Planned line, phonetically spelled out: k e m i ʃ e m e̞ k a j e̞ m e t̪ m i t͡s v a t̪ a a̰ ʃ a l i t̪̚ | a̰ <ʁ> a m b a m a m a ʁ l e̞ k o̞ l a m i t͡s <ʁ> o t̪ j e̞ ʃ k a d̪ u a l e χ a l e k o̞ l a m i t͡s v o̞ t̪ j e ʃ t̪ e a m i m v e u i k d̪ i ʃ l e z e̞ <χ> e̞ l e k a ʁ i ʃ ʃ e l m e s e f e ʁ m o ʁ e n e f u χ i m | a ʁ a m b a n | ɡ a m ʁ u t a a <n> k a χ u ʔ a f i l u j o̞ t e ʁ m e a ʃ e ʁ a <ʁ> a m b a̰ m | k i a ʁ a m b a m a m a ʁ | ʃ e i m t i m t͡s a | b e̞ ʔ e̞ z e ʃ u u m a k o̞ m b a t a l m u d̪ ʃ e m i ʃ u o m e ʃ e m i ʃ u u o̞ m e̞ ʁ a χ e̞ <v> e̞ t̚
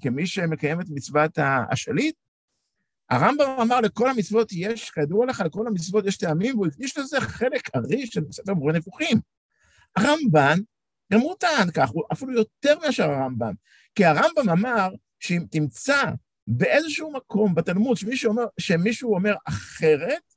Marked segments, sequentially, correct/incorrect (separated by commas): correct, incorrect, correct, correct, correct, incorrect